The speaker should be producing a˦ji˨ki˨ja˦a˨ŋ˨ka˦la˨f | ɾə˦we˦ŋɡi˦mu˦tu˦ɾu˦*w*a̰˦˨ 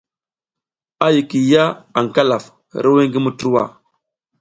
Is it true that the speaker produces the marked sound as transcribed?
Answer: yes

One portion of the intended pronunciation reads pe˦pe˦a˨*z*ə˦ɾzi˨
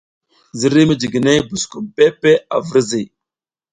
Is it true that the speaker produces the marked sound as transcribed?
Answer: no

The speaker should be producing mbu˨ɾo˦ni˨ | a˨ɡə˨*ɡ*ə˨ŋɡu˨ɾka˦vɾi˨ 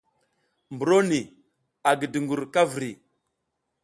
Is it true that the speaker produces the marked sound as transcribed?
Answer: no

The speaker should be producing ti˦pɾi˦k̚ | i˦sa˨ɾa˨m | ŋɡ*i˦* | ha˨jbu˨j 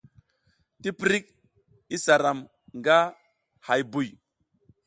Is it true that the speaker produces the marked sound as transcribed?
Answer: no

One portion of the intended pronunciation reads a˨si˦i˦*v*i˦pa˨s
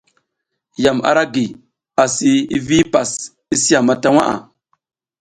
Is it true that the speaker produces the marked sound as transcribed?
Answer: yes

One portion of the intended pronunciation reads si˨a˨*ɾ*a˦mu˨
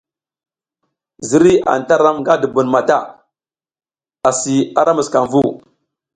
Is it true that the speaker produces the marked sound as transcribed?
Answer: yes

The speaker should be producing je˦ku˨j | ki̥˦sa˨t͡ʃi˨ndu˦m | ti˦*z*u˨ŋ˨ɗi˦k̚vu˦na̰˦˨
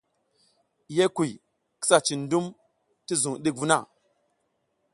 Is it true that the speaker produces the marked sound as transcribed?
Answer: yes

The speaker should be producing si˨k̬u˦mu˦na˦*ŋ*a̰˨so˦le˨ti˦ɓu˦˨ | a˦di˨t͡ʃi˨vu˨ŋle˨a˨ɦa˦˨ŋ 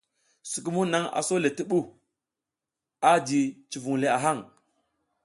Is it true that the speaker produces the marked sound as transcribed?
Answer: yes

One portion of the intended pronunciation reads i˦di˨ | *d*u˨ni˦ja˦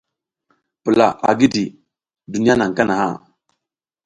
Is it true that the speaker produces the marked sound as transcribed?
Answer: yes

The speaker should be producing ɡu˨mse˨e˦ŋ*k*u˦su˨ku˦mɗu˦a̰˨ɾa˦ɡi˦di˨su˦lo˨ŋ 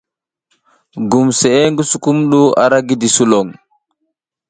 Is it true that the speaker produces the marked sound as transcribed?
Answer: no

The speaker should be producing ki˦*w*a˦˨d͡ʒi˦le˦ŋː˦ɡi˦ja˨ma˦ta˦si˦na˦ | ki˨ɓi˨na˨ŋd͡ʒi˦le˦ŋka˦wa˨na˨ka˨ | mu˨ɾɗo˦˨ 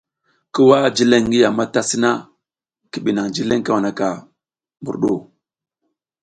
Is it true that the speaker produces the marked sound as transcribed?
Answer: yes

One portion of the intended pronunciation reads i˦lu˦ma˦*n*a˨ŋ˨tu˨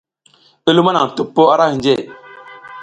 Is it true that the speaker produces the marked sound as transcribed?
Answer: yes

